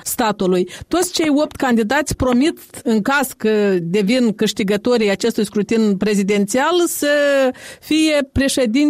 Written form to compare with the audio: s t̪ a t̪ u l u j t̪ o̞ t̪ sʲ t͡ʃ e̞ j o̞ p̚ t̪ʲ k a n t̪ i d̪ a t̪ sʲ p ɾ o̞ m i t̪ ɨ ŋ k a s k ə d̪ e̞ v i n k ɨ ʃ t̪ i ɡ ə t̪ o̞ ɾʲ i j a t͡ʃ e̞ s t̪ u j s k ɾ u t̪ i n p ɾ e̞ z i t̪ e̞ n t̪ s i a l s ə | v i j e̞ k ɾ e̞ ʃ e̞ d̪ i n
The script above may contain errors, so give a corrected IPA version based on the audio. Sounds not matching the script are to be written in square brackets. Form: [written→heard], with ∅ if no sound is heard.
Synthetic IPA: s t̪ a t̪ u l u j t̪ o̞ t̪ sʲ t͡ʃ e̞ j o̞ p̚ t̪ʲ k a n [t̪→d̪] i d̪ a t̪ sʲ p ɾ o̞ m i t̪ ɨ ŋ k a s k ə d̪ e̞ v i n k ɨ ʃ t̪ i ɡ ə t̪ o̞ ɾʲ i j a t͡ʃ e̞ s t̪ u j s k ɾ u t̪ i n p ɾ e̞ z i [t̪→d̪] e̞ n t̪ s i a l s ə | [v→f] i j e̞ [k→p] ɾ e̞ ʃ e̞ d̪ i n